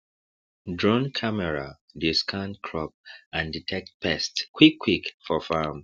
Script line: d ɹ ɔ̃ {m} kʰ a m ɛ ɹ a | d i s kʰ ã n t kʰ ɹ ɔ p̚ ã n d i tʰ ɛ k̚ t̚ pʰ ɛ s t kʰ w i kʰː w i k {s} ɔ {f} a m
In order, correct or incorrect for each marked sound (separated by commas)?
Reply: incorrect, incorrect, correct